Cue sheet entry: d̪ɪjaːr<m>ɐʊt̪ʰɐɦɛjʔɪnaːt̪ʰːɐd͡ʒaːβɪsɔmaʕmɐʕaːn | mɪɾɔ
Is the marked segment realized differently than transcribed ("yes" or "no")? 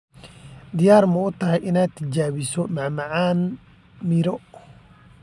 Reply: no